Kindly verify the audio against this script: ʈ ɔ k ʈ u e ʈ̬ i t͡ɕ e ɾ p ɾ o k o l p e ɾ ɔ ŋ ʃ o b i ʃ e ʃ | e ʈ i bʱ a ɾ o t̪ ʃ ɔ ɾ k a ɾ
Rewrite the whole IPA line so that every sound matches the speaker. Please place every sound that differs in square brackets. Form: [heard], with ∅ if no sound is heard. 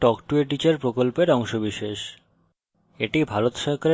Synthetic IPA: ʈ ɔ k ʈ u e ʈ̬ i t͡ɕ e ɾ p ɾ o k o l p e ɾ ɔ ŋ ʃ o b i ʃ e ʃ | e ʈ i bʱ a ɾ o t̪ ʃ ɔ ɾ k a ɾ